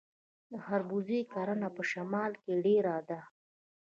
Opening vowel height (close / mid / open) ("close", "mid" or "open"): mid